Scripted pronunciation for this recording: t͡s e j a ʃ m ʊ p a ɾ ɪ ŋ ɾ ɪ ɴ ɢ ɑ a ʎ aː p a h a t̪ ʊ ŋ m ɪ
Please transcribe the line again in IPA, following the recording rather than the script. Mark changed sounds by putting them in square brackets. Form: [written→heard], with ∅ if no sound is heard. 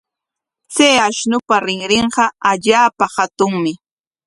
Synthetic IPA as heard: t͡s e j a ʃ [m→n] ʊ p a ɾ ɪ ŋ ɾ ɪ ɴ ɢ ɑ a ʎ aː p a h a t̪ ʊ ŋ m ɪ